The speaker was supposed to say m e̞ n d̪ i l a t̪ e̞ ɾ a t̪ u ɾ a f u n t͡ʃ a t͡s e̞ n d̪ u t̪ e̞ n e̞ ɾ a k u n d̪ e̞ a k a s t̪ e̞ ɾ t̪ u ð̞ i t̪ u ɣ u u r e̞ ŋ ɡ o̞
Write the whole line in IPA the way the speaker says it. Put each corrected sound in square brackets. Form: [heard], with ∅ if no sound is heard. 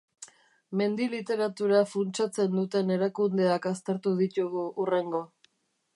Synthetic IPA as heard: m e̞ n d̪ i l [i] t̪ e̞ ɾ a t̪ u ɾ a f u n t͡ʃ a t͡s e̞ n d̪ u t̪ e̞ n e̞ ɾ a k u n d̪ e̞ a k a s t̪ e̞ ɾ t̪ u ð̞ i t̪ u ɣ u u r e̞ ŋ ɡ o̞